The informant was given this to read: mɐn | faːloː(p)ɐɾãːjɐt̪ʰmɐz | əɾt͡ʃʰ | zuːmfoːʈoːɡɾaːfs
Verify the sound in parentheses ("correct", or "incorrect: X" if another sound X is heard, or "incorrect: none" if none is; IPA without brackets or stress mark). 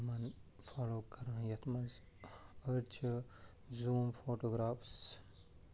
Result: incorrect: k